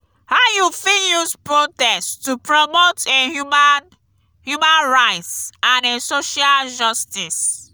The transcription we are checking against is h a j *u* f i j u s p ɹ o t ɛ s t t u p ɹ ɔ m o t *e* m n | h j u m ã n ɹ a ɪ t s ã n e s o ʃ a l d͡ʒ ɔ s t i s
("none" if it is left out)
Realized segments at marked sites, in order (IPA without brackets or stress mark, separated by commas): u, e